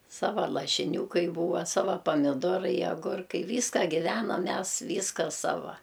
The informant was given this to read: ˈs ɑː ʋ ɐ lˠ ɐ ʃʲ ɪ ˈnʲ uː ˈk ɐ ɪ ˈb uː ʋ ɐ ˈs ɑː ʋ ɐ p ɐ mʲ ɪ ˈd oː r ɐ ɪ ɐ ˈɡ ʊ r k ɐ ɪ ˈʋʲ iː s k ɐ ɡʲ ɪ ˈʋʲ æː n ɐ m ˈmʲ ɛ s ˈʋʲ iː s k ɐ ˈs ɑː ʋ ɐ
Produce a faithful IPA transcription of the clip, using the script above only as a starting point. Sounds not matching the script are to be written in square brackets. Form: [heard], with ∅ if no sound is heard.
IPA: ˈs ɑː ʋ ɐ lˠ ɐ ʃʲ ɪ ˈnʲ uː ˈk ɐ ɪ ˈb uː ʋ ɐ ˈs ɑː ʋ ɐ p ɐ mʲ ɪ ˈd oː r ɐ ɪ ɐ ˈɡ ʊ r k ɐ ɪ ˈʋʲ iː s k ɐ ɡʲ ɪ ˈʋʲ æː n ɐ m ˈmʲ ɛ s ˈʋʲ iː s k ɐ ˈs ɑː ʋ ɐ